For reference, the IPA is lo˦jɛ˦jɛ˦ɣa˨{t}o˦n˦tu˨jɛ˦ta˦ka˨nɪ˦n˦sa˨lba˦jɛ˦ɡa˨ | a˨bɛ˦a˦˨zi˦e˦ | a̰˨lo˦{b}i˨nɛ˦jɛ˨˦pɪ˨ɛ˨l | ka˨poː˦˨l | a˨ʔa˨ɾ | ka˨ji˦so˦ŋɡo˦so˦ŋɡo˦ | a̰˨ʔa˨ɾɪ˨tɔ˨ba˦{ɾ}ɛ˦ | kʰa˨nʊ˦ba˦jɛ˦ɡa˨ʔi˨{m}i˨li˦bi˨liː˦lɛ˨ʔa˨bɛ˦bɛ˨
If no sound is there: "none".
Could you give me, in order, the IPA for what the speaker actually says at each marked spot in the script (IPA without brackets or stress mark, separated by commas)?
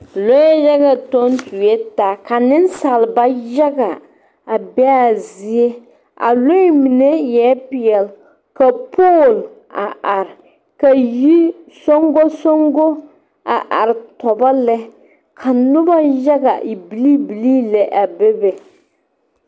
t, m, l, b